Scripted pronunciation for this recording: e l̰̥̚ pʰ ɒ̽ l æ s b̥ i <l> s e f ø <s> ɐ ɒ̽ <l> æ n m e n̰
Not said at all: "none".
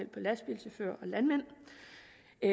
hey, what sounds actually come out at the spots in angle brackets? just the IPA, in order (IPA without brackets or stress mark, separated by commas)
l, none, l